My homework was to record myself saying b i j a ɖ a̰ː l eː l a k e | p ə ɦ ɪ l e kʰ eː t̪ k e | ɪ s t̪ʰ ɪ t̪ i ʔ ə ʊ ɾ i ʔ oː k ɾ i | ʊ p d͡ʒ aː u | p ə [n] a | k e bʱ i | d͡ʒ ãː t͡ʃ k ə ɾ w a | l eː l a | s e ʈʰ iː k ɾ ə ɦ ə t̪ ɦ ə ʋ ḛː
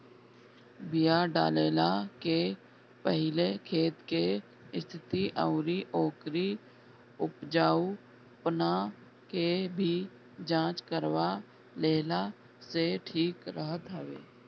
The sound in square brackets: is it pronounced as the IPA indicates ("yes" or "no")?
yes